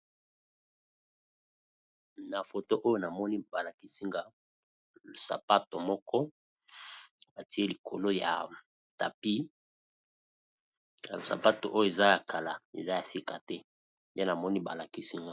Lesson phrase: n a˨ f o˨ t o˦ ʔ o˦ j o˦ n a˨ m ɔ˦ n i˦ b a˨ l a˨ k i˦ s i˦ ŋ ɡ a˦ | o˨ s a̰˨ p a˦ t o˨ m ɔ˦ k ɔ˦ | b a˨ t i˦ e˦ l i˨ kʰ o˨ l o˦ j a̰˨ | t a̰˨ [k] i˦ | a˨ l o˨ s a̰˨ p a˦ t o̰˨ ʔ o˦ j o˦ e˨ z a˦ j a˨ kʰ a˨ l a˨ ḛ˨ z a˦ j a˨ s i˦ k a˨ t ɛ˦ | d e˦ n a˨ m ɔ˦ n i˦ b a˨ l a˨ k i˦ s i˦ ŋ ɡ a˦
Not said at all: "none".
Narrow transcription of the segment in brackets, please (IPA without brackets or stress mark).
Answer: p